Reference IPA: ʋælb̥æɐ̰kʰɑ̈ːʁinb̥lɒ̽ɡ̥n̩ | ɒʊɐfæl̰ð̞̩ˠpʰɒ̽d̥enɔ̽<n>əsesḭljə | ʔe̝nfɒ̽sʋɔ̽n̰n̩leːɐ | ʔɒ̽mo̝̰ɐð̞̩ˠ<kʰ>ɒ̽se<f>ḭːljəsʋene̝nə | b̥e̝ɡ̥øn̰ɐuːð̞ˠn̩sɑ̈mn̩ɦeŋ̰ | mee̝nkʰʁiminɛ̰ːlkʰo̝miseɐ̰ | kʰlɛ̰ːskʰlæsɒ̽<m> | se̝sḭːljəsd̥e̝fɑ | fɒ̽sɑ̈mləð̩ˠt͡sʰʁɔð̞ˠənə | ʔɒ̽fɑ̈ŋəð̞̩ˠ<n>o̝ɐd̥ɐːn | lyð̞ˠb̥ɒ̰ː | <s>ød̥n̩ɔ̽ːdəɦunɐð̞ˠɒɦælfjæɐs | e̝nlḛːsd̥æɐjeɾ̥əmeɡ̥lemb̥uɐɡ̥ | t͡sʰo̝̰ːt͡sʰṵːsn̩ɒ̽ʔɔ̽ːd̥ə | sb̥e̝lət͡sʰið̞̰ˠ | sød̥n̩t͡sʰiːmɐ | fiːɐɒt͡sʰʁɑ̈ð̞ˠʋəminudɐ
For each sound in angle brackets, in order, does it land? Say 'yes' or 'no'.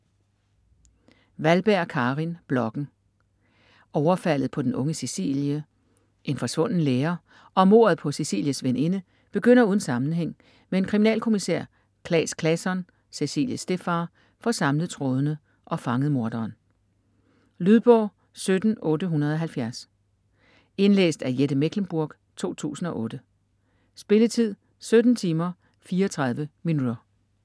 no, no, no, no, no, yes

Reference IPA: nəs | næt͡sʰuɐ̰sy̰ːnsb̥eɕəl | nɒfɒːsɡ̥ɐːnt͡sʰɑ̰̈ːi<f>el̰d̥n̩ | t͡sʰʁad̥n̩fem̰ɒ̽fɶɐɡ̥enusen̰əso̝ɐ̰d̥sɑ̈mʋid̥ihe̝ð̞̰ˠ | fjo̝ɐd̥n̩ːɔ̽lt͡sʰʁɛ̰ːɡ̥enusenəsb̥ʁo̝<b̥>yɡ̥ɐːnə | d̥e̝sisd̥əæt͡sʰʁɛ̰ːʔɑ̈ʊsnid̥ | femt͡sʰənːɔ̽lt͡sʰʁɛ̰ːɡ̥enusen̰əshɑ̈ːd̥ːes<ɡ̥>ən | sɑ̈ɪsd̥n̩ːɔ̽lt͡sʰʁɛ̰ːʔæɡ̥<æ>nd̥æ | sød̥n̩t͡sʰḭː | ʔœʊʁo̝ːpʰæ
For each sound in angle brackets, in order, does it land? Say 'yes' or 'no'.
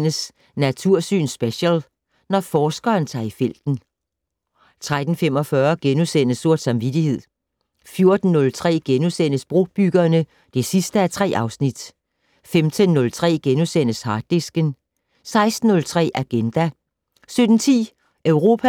yes, yes, yes, no

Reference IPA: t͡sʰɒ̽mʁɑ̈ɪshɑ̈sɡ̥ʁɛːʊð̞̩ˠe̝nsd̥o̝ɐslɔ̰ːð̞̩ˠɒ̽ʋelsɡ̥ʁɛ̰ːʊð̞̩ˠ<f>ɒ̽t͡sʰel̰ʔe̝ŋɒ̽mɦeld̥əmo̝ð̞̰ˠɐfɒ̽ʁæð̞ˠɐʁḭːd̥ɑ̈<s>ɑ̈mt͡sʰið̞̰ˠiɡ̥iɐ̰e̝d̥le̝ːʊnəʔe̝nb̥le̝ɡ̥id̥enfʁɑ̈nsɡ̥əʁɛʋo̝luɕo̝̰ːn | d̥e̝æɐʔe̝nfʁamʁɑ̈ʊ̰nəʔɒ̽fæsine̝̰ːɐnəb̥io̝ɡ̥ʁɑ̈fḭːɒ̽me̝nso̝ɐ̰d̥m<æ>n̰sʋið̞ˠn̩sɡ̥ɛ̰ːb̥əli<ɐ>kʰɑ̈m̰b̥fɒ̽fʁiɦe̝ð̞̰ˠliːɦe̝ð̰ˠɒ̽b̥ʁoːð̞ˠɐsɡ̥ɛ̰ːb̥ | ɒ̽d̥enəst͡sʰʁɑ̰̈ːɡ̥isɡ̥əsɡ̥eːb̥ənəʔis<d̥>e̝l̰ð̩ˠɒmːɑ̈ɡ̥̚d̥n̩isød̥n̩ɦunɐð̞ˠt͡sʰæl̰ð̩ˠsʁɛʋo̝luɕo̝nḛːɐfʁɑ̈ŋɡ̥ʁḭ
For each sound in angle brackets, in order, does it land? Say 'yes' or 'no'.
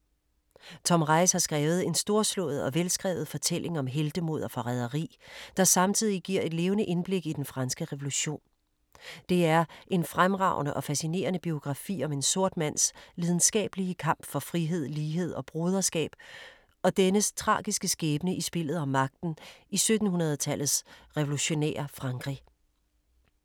yes, yes, yes, no, no

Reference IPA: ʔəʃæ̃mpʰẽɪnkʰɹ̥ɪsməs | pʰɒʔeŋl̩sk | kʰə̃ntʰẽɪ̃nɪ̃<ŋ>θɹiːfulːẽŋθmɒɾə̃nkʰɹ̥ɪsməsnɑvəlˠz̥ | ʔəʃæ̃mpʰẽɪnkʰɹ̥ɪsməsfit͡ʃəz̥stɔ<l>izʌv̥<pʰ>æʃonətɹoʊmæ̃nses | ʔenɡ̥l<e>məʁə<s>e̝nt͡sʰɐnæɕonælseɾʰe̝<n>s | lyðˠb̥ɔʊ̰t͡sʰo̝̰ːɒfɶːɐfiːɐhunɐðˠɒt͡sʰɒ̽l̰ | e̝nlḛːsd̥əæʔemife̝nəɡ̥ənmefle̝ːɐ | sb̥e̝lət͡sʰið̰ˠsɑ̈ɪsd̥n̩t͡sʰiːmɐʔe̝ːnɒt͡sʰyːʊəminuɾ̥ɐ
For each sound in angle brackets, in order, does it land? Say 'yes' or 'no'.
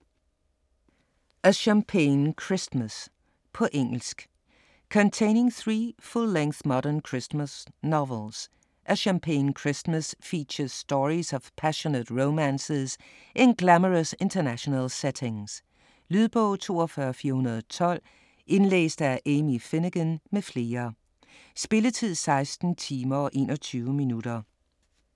yes, no, yes, no, yes, no

